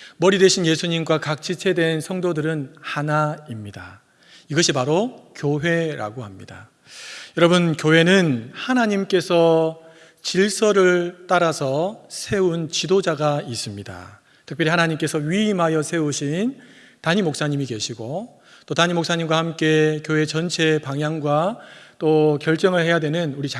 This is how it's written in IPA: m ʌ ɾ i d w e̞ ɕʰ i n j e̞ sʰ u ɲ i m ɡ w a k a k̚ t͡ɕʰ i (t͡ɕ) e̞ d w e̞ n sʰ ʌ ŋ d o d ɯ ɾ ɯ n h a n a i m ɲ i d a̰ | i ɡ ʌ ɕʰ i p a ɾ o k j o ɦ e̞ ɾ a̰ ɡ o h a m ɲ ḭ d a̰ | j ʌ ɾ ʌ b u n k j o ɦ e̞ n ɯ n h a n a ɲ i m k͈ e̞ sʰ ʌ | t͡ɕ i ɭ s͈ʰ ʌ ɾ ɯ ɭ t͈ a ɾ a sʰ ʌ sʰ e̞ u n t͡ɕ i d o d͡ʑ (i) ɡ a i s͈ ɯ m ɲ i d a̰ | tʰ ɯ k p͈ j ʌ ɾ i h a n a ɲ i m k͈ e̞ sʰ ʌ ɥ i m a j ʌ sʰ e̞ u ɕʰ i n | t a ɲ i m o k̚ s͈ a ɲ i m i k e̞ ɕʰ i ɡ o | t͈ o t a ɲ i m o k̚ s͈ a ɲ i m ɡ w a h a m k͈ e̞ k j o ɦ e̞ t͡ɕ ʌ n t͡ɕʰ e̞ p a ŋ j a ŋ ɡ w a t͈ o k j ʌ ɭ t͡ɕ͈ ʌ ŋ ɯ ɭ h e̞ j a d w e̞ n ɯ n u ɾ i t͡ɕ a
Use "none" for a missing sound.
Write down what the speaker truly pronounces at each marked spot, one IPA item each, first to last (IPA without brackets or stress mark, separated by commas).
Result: t͡ɕʰ, a